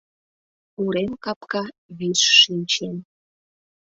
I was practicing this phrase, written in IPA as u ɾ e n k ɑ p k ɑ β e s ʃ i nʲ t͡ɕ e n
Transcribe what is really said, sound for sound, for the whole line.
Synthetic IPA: u ɾ e m k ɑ p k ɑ β i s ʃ i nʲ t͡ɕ e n